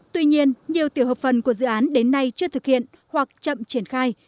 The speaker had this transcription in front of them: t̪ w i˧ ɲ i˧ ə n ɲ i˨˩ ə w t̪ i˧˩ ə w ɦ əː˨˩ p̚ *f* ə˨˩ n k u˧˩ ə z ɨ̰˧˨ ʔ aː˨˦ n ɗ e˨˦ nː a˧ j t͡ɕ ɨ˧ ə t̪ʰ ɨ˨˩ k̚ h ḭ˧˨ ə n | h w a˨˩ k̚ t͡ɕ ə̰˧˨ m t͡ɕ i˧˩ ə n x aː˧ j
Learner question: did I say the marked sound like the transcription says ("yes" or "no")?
yes